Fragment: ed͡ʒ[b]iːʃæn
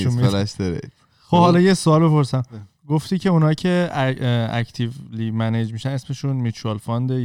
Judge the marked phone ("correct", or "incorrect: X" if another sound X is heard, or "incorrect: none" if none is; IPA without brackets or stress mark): incorrect: m